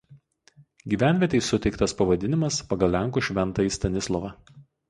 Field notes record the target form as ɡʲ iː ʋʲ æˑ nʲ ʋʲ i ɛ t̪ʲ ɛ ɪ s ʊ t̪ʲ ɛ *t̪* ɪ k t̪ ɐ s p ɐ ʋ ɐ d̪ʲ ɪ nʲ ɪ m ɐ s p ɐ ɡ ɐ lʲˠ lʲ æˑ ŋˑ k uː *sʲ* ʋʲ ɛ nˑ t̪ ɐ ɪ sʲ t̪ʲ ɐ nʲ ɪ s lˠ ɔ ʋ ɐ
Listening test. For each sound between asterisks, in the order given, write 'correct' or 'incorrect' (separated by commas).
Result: incorrect, incorrect